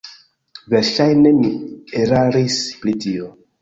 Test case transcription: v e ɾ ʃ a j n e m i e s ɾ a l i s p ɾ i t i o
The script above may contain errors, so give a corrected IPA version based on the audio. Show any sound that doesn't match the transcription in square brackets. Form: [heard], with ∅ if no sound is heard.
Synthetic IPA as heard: v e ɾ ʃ a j n e m i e [∅] ɾ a [ɾ] i s p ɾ i t i o

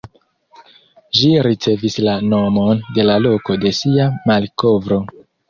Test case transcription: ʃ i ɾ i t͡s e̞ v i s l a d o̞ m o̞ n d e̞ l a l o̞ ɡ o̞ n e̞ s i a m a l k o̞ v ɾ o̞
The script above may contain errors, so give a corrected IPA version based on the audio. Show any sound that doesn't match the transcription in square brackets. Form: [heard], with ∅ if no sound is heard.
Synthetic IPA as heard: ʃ i ɾ i t͡s e̞ v i s l a [n] o̞ m o̞ n d e̞ l a l o̞ [k] o̞ [d] e̞ s i a m a l k o̞ v ɾ o̞

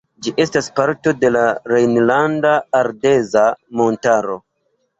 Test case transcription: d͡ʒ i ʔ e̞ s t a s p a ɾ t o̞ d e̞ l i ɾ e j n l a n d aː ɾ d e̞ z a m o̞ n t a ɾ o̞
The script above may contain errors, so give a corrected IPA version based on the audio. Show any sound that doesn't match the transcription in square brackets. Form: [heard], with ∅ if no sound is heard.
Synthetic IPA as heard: d͡ʒ i ʔ e̞ s t a s p a ɾ t o̞ d e̞ l [a] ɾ e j n l a n d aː ɾ d e̞ z a m o̞ n t a ɾ o̞

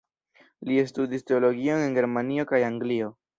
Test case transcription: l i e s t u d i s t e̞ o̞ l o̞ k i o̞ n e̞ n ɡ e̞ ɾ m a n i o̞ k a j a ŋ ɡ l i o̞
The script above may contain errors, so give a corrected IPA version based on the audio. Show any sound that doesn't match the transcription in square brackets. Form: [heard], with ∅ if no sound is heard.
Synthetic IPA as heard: l i e s t u d i s t e̞ o̞ l o̞ [ɡ] i o̞ n e̞ n ɡ e̞ ɾ m a n i o̞ k a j a ŋ ɡ l i o̞

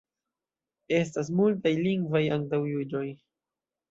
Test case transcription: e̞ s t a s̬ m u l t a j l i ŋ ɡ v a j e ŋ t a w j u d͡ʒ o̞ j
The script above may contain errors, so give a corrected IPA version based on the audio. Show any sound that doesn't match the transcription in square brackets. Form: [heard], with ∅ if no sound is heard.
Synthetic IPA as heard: e̞ s t a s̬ m u l t a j l i ŋ ɡ v a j [a] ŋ t a w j u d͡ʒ o̞ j

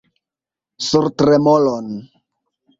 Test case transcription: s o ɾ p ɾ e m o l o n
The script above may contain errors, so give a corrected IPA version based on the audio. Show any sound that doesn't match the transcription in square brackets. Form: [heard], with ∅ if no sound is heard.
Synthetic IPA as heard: s [u] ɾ [t] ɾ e m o l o n

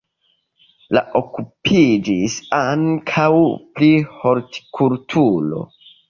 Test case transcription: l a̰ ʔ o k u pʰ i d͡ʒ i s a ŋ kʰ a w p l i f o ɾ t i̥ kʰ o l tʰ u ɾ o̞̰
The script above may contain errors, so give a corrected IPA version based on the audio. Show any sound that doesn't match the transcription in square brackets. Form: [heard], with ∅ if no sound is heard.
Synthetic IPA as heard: l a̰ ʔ o k u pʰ i d͡ʒ i s a ŋ kʰ a w p l i [h] o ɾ t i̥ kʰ [u] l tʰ u [l] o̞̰

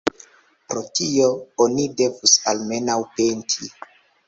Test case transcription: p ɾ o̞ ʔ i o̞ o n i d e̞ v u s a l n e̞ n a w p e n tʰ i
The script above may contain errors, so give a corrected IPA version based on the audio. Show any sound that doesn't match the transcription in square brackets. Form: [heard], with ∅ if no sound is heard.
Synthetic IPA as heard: p ɾ o̞ [t] i o̞ o n i d e̞ v u s a l [m] e̞ n a w p e n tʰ i

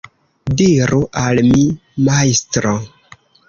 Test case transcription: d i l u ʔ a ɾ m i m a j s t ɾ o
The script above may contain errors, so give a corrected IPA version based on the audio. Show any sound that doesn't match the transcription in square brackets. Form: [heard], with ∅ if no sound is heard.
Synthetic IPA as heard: d i [ɾ] u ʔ a [l] m i m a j s t ɾ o

